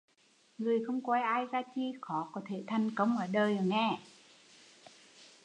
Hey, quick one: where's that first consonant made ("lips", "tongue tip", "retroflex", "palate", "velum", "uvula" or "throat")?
velum